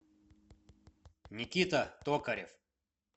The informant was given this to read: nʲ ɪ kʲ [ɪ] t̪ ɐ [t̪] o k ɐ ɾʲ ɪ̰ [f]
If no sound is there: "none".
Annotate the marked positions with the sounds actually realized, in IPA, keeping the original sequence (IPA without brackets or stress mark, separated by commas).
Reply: i, t̪, f